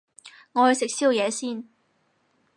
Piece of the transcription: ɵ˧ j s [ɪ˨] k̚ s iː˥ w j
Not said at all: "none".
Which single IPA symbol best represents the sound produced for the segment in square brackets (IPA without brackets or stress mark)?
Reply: ɪ˨